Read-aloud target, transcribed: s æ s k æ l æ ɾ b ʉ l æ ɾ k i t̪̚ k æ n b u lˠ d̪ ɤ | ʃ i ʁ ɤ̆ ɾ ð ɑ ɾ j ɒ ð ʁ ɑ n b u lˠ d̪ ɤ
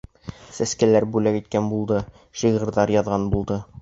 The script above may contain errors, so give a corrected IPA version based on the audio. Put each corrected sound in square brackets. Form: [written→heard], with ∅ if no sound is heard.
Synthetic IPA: s æ s k æ l æ ɾ b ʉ l æ [ɾ→∅] k i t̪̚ k æ n b u lˠ d̪ ɤ | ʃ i ʁ ɤ̆ ɾ ð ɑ ɾ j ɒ ð ʁ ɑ n b u lˠ d̪ ɤ